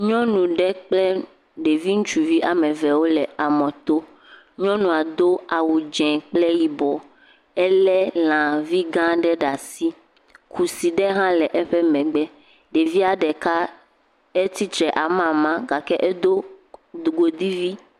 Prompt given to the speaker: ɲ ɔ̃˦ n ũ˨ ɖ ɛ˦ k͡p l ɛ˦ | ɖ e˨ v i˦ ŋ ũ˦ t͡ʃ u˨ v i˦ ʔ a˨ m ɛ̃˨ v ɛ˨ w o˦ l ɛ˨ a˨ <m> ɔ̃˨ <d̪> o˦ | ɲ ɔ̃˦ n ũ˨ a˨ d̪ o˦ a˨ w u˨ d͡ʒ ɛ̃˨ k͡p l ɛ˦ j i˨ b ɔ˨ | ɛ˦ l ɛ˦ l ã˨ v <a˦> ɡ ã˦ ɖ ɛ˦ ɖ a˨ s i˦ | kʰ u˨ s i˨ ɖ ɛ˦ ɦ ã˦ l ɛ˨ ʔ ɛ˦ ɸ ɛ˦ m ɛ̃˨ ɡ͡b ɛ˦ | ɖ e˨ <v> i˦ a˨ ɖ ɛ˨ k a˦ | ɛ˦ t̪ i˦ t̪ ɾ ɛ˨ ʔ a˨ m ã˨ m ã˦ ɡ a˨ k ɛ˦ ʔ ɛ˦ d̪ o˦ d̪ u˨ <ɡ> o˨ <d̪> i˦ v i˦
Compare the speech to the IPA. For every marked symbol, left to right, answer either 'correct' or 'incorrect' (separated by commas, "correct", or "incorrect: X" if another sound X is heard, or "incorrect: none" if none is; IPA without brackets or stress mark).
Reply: correct, incorrect: t̪, incorrect: i˦, correct, correct, correct